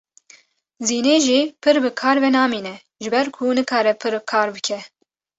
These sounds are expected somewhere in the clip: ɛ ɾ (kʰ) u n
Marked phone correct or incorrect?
correct